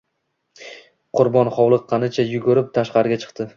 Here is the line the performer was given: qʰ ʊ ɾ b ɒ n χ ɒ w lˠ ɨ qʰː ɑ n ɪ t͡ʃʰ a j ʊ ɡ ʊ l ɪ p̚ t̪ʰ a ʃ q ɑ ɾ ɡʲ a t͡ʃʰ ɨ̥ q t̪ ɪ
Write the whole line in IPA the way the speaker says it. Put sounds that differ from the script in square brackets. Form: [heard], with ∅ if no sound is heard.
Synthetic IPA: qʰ ʊ ɾ b ɒ n χ ɒ w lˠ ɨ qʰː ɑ n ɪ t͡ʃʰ a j ʊ ɡ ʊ [ɾ] ɪ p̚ t̪ʰ a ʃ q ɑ ɾ ɡʲ a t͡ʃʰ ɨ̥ q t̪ ɪ